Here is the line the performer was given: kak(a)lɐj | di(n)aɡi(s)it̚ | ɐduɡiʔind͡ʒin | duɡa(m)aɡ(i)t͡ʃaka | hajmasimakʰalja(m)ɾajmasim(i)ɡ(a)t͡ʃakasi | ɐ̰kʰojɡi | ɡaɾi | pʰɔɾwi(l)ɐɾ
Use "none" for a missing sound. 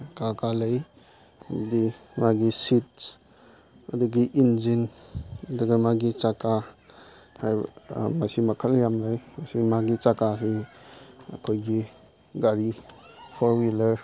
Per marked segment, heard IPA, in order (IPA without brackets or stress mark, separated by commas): a, m, s, m, i, m, a, i, l